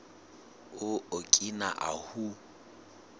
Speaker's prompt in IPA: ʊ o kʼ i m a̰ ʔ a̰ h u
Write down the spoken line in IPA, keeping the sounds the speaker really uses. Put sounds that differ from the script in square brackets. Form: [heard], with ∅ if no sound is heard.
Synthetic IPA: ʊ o kʼ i [n] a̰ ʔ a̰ h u